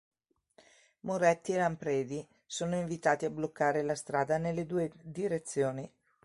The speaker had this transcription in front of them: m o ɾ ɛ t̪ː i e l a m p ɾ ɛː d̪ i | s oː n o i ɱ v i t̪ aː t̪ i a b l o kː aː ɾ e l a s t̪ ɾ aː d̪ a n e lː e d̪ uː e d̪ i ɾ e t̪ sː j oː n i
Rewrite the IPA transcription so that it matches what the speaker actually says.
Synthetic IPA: m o ɾ ɛ t̪ː i e l a m p ɾ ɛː d̪ i | s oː n o i ɱ v i t̪ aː t̪ i a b l o kː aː ɾ e l a s t̪ ɾ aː d̪ a n e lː e d̪ uː e d̪ i ɾ e t̪ sː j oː n i